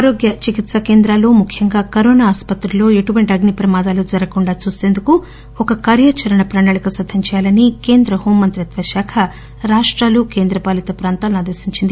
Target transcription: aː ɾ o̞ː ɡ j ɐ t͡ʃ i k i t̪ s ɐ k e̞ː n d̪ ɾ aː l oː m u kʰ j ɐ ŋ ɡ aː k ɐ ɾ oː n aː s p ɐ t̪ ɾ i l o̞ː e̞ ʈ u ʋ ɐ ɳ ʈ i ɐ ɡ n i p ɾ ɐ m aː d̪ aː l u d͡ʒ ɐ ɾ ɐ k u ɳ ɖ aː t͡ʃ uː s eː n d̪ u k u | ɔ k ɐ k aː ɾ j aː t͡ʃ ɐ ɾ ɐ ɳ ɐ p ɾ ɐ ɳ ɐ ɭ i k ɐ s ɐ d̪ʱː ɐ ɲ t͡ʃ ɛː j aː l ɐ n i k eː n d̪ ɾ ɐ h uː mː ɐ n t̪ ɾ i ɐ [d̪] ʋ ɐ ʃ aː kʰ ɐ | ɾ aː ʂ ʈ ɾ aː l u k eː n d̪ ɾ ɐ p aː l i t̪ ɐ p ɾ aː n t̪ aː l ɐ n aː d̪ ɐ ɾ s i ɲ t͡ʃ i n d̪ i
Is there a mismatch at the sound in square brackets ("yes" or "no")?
yes